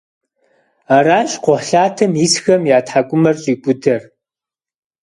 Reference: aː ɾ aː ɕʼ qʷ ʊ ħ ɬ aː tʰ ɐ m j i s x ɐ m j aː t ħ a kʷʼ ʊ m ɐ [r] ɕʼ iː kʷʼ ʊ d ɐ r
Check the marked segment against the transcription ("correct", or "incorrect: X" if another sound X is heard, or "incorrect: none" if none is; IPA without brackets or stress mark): correct